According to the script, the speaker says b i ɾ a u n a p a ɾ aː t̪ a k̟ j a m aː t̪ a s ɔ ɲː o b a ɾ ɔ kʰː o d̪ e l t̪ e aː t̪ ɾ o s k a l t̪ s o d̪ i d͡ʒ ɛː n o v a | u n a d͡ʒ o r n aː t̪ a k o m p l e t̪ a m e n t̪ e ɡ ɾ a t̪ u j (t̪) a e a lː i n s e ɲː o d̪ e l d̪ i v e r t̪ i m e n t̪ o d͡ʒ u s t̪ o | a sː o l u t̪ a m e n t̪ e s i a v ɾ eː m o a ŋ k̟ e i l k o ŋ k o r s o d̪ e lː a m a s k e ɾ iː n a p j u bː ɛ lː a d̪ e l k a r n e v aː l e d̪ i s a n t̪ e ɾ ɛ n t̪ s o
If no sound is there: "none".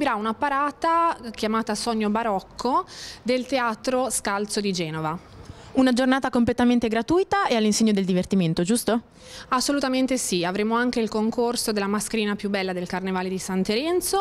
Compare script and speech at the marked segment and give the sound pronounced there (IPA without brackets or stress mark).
t̪